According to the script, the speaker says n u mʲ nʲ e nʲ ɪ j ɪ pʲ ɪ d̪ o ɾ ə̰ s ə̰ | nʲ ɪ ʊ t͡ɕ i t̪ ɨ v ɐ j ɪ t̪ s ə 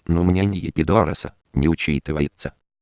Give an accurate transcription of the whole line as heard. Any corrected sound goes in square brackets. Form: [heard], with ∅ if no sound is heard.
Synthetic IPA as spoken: n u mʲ nʲ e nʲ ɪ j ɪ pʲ ɪ d̪ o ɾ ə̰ s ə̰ | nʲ ɪ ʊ t͡ɕ i t̪ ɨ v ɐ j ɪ t̪ s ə